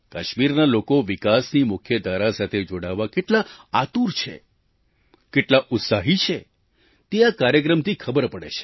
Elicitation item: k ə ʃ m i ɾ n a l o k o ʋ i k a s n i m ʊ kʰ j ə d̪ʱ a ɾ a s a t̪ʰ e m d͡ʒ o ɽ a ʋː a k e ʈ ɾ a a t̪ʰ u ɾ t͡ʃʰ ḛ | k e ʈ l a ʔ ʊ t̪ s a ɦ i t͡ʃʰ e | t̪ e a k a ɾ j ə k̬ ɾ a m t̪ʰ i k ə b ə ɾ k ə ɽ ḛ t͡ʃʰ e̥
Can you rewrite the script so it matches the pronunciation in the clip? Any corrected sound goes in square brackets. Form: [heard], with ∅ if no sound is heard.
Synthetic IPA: k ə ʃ m i ɾ n a l o k o ʋ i k a s n i m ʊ kʰ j ə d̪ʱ a ɾ a s a t̪ʰ e [∅] d͡ʒ o ɽ a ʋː a k e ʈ [l] a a [t̪] u ɾ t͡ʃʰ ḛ | k e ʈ l a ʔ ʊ t̪ s a ɦ i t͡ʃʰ e | t̪ e a k a ɾ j ə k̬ ɾ [ə] m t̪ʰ i [kʰ] ə b ə ɾ [p] ə ɽ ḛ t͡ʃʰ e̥